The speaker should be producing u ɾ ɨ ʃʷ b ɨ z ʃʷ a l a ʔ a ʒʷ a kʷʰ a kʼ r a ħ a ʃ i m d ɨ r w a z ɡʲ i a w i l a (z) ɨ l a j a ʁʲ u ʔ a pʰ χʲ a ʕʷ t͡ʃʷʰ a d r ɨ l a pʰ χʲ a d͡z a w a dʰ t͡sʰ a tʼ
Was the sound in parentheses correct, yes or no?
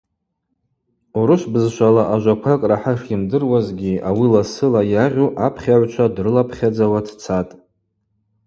no